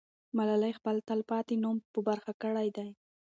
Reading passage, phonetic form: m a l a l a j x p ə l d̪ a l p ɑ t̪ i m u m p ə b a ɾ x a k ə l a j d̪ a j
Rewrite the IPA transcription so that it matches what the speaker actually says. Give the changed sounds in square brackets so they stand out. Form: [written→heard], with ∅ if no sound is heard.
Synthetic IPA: m a l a l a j x p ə l [d̪→t̪] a l p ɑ t̪ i [m→n] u m p ə b a ɾ x a k ə [l→ɽ] a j d̪ a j